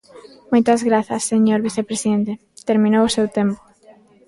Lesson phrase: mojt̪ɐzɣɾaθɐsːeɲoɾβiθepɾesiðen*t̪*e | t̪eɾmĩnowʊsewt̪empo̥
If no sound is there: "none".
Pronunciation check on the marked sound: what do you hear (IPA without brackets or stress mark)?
t̪